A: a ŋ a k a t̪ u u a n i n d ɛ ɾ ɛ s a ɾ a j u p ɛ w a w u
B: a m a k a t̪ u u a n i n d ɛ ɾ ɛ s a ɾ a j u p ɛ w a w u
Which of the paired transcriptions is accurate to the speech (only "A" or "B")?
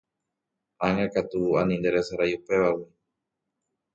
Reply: A